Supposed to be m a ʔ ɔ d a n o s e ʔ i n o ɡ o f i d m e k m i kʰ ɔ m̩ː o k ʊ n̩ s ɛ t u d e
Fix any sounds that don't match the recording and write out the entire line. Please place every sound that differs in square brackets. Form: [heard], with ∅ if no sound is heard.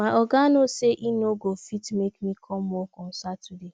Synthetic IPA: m a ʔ ɔ [ɡ] a n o s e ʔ i n o ɡ o f i [t] m e k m i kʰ ɔ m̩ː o k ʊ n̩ s [a] t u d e